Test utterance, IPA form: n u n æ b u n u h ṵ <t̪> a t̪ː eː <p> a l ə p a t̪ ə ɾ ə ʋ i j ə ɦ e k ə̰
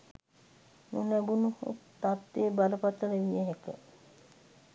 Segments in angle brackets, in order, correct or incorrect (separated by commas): correct, incorrect